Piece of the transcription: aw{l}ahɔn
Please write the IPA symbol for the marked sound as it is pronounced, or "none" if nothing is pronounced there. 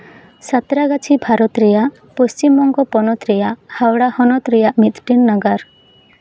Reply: ɽ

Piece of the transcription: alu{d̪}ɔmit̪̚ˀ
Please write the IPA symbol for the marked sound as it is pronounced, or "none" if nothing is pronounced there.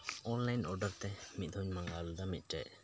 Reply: d̪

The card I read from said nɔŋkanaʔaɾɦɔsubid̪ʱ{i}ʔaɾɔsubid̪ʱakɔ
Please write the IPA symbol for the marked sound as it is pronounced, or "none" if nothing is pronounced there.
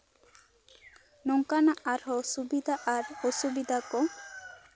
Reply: a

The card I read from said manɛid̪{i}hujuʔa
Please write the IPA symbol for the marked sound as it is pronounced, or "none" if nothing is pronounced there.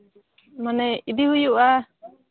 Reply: i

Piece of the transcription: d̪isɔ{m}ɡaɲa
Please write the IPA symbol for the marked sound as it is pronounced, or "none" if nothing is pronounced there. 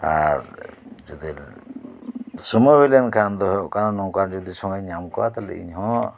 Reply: ŋ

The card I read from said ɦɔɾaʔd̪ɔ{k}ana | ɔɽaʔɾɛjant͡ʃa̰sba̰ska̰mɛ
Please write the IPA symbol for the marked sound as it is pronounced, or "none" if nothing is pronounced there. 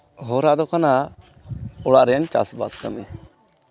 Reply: k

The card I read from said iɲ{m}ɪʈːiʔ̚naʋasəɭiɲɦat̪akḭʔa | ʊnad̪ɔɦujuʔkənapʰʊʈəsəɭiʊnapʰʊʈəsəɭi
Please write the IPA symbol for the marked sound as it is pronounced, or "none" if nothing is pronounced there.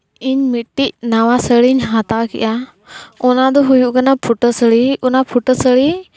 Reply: m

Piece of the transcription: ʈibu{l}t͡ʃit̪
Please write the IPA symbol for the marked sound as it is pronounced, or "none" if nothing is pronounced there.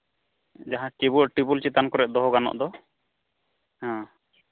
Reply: l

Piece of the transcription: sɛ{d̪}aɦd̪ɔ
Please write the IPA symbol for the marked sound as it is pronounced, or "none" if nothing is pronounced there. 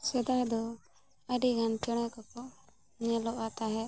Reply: d̪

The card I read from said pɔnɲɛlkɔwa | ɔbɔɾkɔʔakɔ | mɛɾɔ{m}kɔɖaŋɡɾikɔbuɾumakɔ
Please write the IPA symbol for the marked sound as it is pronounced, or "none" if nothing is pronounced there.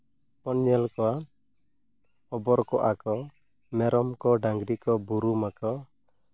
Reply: m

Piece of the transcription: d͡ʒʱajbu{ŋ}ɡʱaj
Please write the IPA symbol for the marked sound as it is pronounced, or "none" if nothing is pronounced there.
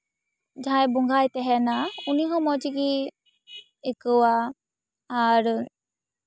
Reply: ŋ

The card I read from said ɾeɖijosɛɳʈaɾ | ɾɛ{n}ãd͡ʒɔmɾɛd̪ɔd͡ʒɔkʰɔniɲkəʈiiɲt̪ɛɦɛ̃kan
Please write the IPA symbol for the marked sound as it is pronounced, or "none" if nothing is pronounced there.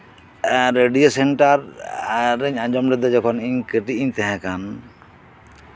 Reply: ɲ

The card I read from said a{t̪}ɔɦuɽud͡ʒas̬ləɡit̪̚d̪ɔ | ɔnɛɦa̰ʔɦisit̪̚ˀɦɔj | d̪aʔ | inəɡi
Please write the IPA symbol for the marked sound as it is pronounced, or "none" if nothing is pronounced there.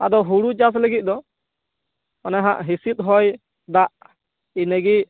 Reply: d̪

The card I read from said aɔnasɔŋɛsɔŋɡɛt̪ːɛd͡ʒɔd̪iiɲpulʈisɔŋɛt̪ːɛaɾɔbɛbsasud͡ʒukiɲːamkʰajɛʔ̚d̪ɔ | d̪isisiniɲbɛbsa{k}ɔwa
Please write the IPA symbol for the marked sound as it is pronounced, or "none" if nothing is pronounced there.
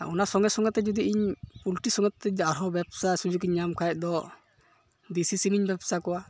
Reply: k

